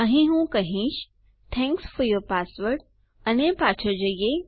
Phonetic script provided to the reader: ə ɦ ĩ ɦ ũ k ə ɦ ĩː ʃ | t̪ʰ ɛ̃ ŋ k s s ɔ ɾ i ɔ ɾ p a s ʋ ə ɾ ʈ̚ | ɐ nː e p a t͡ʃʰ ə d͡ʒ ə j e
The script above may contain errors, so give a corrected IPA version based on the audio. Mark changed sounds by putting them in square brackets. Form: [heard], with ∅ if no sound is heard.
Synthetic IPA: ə ɦ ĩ ɦ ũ k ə ɦ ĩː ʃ | t̪ʰ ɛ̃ ŋ k s [f] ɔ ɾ [j] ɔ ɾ p a s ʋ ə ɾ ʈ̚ | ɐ [n] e p a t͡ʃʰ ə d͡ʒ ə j e